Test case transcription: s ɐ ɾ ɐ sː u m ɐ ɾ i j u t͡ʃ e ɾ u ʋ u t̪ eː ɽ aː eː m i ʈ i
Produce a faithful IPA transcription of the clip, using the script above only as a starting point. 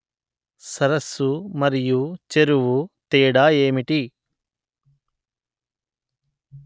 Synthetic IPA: s ɐ ɾ ɐ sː u m ɐ ɾ i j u t͡ʃ e ɾ u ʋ u t̪ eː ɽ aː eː m i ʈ i